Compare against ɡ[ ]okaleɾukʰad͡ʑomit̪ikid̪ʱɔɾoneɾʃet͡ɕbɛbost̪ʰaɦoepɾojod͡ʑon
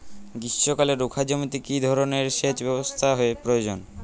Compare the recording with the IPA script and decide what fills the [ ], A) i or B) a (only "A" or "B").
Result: A